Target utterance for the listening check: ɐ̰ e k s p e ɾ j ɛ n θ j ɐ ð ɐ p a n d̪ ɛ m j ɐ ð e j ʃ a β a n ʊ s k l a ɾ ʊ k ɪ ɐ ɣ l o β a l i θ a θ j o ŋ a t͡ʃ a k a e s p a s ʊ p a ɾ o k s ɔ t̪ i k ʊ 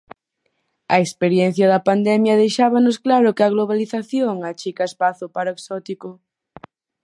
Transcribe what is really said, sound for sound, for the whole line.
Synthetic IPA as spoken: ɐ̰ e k s p e ɾ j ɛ n θ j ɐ ð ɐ p a n d̪ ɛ m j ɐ ð e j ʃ a β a n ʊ s k l a ɾ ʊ k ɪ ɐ ɣ l o β a l i θ a θ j o ŋ a t͡ʃ i k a e s p a θ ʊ p a ɾ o k s ɔ t̪ i k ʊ